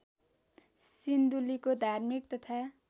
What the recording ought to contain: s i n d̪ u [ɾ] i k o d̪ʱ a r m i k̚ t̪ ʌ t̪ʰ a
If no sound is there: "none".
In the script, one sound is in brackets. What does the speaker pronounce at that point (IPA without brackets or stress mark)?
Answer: l